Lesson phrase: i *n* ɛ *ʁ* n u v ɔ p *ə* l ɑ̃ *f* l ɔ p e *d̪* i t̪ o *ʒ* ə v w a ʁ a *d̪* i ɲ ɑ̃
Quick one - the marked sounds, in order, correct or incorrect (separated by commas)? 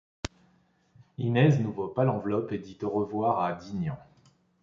correct, incorrect, incorrect, incorrect, correct, incorrect, correct